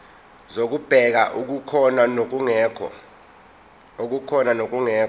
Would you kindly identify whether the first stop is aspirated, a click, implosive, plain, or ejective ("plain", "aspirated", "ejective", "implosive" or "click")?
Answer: plain